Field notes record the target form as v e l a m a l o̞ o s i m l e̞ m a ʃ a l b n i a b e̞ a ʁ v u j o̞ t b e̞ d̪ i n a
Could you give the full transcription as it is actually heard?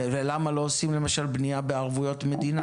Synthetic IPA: v e l a m a l o̞ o s i m l e̞ m a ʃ a l b n i a b e̞ a ʁ v u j o̞ t m e̞ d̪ i n a